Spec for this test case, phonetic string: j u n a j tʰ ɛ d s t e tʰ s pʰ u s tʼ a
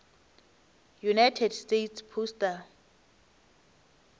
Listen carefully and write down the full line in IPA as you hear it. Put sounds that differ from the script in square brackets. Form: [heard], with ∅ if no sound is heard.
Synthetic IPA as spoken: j u n a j tʰ ɛ d s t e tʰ s pʰ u s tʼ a